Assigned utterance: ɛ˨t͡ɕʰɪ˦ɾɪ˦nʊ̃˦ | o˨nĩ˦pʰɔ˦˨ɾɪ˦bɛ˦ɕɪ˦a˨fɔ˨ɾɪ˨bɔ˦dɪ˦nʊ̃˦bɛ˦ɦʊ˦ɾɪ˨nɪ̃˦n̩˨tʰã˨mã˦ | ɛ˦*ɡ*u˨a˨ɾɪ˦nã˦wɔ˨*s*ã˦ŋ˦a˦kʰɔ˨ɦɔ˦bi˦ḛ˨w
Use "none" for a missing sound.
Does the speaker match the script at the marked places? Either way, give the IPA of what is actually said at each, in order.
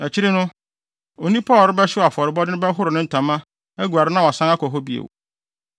ɡ, s

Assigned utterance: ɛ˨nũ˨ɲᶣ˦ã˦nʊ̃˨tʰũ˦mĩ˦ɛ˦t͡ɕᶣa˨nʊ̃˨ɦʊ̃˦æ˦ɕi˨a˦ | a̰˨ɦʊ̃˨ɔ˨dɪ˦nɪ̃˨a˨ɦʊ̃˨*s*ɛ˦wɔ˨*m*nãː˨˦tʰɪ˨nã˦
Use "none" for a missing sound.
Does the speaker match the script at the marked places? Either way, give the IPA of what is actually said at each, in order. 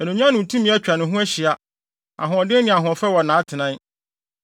f, none

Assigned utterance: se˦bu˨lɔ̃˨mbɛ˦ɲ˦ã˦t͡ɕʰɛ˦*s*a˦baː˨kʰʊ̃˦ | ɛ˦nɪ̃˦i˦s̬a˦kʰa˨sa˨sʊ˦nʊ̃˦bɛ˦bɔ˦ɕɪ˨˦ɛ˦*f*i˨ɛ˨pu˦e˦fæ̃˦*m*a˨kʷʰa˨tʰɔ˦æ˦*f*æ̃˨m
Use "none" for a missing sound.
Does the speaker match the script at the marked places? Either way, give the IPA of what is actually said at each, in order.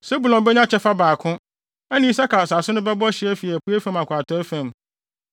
f, f, m, f

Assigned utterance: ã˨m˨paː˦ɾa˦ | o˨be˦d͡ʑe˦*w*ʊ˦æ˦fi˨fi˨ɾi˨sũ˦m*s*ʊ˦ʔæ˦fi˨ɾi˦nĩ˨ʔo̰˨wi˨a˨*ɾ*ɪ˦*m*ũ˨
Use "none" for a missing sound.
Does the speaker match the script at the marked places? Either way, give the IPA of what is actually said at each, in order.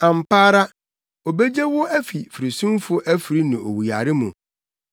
w, f, ɾ, m

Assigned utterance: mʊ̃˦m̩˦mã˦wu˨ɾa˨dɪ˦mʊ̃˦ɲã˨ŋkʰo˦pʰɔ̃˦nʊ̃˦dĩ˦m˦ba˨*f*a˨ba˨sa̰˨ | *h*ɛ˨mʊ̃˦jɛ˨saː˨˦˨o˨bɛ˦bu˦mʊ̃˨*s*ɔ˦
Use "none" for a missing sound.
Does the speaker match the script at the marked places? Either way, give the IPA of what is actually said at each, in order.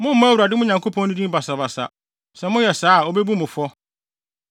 s, s, f

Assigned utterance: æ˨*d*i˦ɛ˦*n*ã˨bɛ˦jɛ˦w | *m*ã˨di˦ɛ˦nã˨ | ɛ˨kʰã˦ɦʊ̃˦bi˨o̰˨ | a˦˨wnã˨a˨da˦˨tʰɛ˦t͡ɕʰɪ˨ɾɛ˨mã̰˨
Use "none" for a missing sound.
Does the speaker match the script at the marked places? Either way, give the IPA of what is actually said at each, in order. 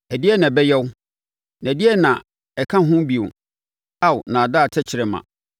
d, n, n

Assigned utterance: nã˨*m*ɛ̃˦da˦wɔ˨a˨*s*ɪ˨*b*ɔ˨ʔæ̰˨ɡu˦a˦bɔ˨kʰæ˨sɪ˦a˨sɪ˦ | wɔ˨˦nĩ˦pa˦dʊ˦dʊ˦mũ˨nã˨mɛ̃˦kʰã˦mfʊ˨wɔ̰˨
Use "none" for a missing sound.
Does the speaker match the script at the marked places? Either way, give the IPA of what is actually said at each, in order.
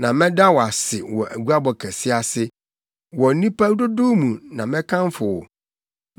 m, s, w

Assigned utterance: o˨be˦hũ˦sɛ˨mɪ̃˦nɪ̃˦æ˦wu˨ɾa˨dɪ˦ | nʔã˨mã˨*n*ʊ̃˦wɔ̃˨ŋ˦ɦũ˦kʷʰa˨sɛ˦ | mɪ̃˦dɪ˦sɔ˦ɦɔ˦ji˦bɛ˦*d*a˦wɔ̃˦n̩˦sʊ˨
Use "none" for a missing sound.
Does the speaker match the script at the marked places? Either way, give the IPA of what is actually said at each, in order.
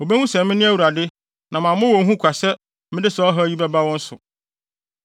m, b

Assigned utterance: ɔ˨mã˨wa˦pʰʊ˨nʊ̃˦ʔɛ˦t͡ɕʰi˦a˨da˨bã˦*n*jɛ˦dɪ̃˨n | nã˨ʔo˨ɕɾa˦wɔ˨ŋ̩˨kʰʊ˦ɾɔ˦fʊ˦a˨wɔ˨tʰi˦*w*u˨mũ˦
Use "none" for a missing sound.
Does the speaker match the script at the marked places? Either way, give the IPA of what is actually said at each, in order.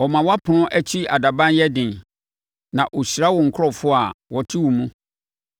n, w

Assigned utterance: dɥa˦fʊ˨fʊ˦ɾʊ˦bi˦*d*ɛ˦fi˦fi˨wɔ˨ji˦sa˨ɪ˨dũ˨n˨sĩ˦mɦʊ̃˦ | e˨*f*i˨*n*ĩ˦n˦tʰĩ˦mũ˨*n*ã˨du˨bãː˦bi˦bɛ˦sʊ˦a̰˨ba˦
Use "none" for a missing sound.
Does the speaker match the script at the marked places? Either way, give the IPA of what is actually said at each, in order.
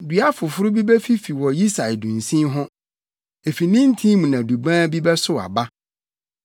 b, f, n, n

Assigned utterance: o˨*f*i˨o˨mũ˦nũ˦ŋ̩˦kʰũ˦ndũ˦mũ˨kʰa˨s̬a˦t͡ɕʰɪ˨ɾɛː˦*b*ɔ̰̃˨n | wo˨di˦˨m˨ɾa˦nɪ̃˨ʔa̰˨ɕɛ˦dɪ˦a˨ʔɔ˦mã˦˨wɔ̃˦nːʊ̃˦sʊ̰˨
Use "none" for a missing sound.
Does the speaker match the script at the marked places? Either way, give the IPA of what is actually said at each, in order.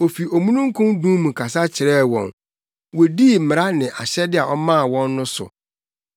f, w

